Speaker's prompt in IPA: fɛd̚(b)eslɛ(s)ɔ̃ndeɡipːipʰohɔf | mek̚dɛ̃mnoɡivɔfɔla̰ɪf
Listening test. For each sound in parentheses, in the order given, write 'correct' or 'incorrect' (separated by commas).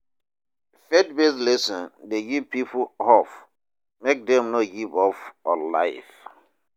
correct, correct